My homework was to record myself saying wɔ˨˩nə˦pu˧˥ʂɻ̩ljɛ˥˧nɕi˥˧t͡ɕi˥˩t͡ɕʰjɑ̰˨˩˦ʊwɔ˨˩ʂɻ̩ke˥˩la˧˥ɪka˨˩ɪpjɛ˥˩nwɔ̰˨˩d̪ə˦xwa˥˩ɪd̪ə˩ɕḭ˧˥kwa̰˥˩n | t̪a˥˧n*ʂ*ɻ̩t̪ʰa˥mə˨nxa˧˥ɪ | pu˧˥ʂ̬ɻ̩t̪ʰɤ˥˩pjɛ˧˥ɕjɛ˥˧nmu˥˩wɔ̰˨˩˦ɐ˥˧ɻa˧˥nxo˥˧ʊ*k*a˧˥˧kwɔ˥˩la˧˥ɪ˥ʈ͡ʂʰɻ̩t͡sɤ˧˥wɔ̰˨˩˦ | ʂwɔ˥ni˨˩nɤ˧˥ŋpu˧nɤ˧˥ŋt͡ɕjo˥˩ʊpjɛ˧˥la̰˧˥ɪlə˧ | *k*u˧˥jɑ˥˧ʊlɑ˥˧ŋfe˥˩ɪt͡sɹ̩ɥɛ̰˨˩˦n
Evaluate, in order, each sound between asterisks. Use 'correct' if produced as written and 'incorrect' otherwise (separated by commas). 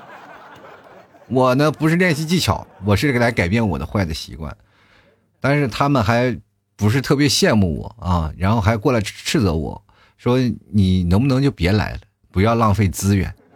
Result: correct, incorrect, incorrect